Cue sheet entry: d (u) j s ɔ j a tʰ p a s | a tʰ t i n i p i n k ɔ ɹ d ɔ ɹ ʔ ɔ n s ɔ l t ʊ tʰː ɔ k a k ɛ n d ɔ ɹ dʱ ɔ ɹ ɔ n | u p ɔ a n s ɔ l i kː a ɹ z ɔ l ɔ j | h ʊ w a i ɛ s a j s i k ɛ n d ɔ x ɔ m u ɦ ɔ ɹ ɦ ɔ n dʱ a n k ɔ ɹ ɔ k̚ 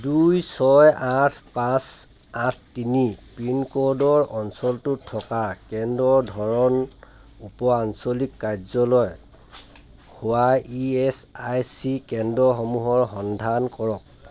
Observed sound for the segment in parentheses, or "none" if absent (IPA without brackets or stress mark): u